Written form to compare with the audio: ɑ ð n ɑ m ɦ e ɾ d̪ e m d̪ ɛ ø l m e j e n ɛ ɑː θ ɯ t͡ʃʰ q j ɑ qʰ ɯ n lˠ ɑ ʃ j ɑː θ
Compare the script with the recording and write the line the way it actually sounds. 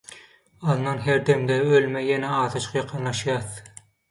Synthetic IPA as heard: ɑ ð n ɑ n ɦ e ɾ d̪ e m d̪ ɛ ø l m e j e n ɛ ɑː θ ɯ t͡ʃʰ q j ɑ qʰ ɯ n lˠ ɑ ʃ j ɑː θ